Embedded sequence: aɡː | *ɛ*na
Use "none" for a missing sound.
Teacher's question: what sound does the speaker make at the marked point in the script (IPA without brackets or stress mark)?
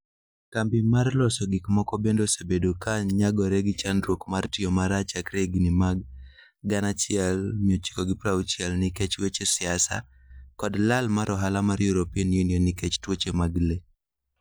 a